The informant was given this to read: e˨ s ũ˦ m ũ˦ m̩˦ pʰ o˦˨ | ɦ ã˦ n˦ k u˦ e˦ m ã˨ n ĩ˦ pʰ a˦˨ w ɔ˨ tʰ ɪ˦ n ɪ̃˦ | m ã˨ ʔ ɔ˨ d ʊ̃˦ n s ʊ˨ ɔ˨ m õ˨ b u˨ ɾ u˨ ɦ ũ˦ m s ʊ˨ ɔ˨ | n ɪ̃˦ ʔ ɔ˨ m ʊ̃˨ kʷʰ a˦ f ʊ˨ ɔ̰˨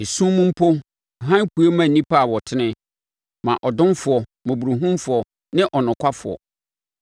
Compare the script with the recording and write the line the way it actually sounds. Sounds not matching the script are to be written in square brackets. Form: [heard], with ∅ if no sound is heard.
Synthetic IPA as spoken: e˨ s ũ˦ m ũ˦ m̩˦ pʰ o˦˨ | ɦ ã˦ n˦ k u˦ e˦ m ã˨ n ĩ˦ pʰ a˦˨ w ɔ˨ tʰ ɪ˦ n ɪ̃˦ | m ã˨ ʔ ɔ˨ d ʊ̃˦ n [f] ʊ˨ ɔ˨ m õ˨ b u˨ ɾ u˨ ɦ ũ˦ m [f] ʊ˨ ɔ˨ | n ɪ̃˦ ʔ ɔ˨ [n] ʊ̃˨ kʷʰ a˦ f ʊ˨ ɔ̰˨